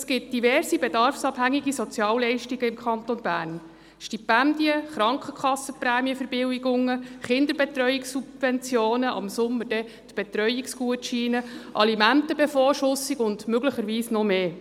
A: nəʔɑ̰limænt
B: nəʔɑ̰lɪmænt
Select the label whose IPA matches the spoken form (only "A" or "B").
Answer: A